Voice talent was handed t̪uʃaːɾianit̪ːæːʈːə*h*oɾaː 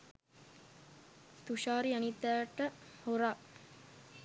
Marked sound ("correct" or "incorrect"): correct